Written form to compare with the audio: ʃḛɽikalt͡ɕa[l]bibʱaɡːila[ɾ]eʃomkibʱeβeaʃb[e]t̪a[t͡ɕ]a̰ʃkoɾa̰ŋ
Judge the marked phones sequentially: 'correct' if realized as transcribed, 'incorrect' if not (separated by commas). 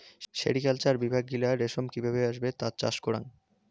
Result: incorrect, correct, correct, correct